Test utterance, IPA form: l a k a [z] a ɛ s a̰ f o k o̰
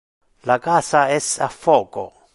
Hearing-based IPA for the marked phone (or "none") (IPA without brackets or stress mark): s